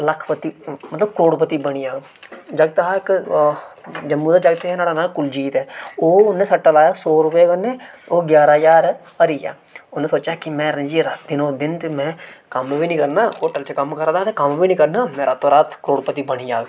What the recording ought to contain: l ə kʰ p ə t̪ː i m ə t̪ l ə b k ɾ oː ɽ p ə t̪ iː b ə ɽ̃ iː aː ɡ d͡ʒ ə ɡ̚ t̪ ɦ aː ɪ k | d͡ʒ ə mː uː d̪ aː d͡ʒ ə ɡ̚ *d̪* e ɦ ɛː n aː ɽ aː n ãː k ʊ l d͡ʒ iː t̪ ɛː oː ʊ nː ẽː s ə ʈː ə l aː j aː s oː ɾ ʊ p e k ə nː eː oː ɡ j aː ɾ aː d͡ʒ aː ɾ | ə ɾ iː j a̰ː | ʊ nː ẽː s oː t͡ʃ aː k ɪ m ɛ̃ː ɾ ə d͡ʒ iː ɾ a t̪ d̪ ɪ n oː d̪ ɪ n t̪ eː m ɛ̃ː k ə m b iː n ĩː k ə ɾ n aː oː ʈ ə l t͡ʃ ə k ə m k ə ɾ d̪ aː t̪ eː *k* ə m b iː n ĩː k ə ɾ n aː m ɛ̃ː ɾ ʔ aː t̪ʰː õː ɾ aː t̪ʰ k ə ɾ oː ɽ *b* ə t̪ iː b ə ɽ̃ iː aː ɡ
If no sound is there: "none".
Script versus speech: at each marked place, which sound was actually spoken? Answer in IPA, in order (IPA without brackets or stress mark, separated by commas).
t̪, k, p